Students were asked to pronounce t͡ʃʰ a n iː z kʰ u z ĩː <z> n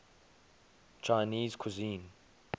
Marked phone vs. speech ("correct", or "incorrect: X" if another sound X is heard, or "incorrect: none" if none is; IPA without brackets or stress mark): incorrect: none